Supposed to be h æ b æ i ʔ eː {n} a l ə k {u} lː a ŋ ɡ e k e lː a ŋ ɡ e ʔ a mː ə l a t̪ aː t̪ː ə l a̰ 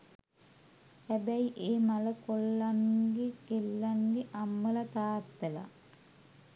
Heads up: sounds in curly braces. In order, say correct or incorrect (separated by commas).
incorrect, incorrect